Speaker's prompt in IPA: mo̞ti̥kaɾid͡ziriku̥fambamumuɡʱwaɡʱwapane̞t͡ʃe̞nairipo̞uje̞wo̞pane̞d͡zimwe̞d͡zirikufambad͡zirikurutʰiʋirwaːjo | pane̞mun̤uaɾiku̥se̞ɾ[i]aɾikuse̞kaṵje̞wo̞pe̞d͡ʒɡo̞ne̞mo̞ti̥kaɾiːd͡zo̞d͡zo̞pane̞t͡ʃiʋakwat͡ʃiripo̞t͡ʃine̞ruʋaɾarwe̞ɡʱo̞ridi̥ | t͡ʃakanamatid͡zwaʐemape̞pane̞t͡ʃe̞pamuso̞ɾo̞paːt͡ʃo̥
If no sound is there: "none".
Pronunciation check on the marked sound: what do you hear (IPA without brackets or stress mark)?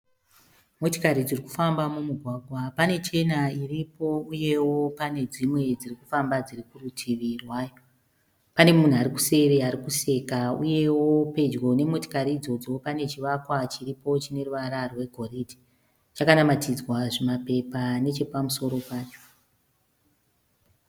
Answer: e